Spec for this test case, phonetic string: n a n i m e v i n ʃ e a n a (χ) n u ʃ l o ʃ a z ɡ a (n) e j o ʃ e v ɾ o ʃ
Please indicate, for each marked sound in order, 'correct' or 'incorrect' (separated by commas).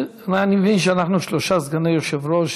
correct, correct